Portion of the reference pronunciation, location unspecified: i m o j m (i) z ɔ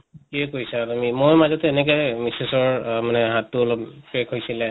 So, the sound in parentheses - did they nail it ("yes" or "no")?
no